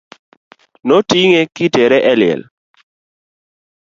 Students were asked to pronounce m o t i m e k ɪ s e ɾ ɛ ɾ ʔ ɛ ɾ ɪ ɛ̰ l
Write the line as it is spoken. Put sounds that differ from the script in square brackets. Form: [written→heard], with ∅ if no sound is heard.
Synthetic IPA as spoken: [m→n] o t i [m→ŋ] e k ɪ [s→t] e ɾ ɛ [ɾ→∅] ʔ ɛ [ɾ→l] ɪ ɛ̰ l